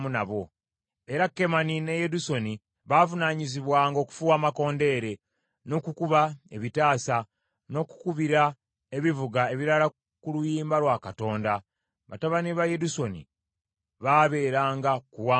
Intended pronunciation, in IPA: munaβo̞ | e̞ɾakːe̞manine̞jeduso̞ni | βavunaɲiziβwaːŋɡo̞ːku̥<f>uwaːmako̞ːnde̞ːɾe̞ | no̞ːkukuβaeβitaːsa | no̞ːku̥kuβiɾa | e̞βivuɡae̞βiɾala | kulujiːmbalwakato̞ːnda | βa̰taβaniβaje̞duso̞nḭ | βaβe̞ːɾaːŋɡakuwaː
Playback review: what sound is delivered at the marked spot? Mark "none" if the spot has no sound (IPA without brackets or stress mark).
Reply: f